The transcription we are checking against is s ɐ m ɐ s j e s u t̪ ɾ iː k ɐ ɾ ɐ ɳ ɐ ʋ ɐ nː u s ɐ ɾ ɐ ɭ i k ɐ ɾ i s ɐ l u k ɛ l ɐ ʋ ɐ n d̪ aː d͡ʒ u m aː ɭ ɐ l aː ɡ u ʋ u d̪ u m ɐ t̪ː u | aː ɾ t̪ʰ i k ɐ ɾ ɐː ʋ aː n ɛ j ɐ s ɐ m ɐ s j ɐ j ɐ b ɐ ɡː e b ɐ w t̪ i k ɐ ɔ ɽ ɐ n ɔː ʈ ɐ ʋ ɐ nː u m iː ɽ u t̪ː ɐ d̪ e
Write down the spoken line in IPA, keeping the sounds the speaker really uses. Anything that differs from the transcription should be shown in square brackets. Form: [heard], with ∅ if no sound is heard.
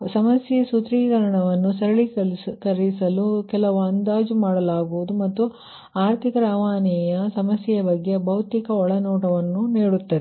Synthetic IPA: s ɐ m ɐ s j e s u t̪ ɾ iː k ɐ ɾ ɐ ɳ ɐ ʋ ɐ nː u s ɐ ɾ ɐ ɭ i k ɐ ɾ i s ɐ l u k ɛ l ɐ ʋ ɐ n d̪ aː d͡ʒ u m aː [ɽ] ɐ l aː ɡ u ʋ u d̪ u m ɐ t̪ː u | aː ɾ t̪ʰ i k ɐ ɾ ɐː ʋ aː n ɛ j ɐ s ɐ m ɐ s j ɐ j ɐ b ɐ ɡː e b ɐ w t̪ i k ɐ ɔ [ɭ] ɐ n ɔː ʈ ɐ ʋ ɐ nː u [n] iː ɽ u t̪ː ɐ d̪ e